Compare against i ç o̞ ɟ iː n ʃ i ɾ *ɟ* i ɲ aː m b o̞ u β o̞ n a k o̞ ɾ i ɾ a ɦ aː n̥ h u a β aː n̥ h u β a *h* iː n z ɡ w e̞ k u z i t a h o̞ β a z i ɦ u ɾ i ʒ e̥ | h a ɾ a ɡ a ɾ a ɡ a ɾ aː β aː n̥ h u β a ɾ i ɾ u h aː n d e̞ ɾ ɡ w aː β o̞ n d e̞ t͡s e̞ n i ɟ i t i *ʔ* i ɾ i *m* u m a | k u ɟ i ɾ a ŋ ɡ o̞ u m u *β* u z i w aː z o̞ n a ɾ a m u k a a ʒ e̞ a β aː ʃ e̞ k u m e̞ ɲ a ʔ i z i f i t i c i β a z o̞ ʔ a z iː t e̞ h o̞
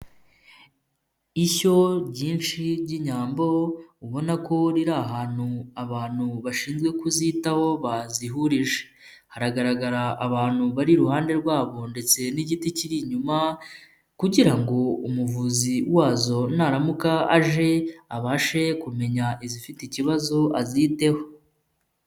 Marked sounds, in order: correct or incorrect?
correct, incorrect, incorrect, incorrect, incorrect

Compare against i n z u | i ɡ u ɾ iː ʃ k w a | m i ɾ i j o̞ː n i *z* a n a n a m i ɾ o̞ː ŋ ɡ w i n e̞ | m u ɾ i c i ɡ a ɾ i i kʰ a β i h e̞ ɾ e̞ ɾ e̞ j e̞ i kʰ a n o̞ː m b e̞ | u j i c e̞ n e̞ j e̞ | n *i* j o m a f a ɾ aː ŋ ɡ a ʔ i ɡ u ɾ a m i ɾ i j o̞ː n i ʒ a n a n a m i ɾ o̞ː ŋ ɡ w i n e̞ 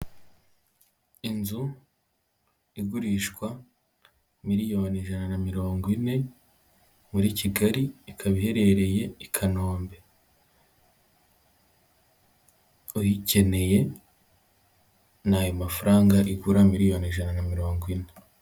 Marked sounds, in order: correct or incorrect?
incorrect, incorrect

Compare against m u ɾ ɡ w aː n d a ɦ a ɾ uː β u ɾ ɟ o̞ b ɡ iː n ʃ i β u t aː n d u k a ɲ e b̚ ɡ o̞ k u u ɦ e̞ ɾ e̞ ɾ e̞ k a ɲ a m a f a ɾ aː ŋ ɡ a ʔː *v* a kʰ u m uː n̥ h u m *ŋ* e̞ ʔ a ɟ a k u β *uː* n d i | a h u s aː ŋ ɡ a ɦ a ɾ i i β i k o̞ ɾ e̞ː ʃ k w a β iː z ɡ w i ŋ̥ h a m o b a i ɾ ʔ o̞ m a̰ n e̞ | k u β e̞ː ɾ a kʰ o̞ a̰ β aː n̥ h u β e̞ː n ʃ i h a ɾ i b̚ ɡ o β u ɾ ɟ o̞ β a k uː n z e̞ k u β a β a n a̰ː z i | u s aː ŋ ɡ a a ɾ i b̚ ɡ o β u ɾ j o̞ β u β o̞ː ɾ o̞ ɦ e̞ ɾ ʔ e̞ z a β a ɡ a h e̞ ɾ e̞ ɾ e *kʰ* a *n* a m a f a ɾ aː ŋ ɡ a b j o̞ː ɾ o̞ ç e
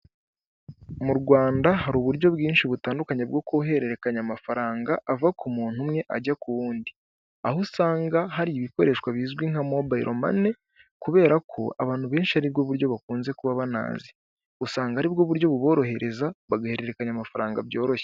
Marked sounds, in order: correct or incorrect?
correct, correct, correct, incorrect, incorrect

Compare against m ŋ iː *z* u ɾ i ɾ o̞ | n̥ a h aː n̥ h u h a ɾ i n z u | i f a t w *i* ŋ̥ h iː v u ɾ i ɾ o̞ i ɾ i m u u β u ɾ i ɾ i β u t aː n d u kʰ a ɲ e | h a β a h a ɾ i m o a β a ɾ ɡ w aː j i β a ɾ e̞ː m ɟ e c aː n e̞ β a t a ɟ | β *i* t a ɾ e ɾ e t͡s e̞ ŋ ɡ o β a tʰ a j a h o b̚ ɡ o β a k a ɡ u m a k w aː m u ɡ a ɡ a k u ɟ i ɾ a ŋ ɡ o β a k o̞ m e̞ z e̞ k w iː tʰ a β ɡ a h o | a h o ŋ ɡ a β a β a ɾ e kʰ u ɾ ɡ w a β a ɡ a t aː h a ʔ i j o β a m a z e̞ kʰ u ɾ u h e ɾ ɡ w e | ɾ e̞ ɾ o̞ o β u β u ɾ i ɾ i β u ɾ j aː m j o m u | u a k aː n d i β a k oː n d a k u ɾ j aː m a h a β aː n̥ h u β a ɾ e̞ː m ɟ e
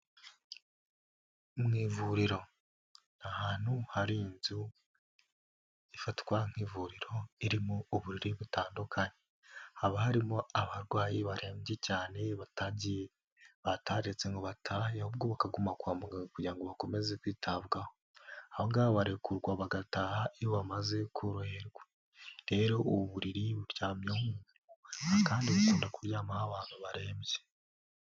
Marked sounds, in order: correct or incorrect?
incorrect, incorrect, incorrect

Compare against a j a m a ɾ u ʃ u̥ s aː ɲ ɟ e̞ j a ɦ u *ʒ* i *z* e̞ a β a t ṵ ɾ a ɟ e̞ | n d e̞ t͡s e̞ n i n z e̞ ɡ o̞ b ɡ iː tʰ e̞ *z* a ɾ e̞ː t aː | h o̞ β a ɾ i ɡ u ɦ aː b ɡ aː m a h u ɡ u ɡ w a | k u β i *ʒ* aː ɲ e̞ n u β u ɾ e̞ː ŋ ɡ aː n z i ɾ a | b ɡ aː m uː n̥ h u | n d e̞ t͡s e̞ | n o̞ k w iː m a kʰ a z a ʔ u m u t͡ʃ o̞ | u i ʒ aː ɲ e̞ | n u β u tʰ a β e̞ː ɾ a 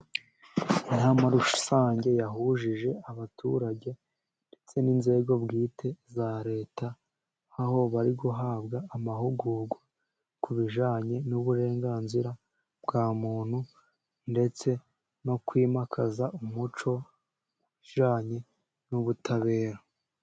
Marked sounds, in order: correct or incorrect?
correct, incorrect, correct, correct

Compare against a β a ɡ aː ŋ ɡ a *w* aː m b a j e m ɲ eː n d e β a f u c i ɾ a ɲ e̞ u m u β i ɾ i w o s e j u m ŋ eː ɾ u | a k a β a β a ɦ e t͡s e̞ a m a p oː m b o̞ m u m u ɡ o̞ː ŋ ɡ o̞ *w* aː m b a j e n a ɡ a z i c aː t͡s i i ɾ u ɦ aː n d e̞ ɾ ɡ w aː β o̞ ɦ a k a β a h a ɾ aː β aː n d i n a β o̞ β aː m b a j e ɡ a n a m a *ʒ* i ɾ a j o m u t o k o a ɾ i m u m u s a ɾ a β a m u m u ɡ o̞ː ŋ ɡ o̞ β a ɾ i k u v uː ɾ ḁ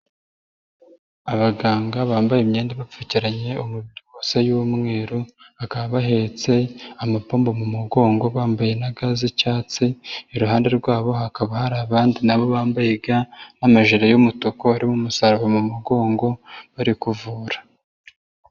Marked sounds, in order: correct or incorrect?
incorrect, incorrect, correct

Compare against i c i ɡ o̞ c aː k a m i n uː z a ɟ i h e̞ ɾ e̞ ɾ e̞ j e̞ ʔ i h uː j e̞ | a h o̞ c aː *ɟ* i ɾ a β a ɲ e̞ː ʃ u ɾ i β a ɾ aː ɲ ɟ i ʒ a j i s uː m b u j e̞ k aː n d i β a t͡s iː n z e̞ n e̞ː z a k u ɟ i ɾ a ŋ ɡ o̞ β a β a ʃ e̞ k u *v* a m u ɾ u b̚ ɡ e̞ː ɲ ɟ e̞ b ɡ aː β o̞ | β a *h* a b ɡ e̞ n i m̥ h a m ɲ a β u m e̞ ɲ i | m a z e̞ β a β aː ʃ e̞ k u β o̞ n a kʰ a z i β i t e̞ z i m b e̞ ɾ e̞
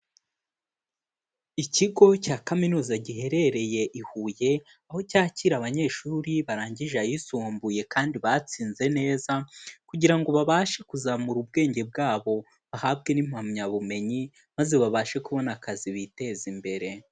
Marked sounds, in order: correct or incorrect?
incorrect, incorrect, correct

